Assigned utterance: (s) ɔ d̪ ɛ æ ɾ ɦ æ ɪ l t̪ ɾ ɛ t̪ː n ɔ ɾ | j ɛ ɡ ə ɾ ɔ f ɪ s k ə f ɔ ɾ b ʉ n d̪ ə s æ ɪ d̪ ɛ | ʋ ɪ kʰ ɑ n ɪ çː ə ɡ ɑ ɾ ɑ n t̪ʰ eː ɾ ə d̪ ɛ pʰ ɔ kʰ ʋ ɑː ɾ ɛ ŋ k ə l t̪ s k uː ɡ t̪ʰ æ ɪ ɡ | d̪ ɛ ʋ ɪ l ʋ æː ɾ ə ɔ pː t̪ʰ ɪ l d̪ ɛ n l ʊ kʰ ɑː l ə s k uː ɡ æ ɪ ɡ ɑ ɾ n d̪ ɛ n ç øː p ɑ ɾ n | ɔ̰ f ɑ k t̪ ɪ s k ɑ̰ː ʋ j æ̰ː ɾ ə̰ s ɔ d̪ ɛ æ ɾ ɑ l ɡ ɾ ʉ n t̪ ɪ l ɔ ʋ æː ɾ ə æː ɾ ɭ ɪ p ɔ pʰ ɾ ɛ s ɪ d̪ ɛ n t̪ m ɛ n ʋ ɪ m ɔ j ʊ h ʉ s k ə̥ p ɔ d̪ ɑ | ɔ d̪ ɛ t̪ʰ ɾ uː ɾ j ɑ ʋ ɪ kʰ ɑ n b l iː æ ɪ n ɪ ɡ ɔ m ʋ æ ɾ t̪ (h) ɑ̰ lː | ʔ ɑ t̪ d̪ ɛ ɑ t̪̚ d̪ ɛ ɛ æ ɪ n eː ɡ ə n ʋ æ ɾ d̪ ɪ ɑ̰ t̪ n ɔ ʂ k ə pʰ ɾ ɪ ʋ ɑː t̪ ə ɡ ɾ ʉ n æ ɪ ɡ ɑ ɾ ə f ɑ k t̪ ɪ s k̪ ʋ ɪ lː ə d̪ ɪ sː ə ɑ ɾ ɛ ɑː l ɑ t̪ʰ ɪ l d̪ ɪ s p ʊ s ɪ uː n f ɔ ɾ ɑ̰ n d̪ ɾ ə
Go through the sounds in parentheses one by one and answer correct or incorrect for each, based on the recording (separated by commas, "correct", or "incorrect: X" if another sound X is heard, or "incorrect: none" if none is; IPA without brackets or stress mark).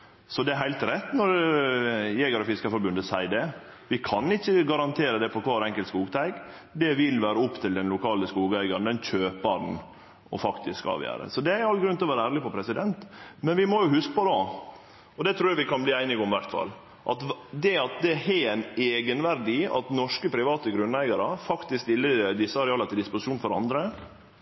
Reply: correct, incorrect: f